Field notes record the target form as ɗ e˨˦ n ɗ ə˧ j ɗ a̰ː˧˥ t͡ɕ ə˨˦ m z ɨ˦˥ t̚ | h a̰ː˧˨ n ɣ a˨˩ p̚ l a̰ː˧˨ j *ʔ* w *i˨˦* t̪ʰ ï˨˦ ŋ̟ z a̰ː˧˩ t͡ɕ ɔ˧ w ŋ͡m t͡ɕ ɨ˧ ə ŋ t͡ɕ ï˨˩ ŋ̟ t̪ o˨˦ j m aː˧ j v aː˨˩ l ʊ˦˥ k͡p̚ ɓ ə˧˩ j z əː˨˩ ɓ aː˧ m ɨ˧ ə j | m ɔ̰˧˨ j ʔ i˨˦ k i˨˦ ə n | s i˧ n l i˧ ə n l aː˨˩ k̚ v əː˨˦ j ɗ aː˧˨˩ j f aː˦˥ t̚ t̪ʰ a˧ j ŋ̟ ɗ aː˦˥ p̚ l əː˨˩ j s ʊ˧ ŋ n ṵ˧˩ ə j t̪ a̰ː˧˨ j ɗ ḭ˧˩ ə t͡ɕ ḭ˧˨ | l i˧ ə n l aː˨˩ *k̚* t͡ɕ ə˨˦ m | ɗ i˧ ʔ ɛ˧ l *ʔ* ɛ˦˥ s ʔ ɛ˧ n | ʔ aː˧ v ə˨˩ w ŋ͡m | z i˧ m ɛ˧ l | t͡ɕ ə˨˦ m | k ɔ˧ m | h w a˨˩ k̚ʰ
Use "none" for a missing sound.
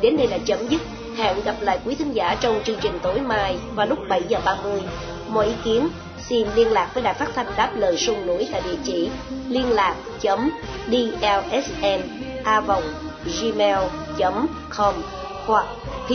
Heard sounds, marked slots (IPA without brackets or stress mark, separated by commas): k, i˨˦, k̚, ʔ